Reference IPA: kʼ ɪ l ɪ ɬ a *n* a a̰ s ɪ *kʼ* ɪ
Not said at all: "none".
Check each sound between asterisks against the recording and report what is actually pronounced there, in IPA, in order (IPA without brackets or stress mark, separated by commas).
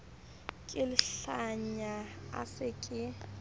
ɲ, kʼ